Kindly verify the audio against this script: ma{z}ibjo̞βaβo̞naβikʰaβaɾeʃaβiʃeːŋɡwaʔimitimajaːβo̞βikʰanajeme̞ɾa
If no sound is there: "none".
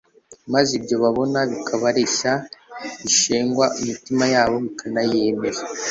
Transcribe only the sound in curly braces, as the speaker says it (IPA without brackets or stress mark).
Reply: z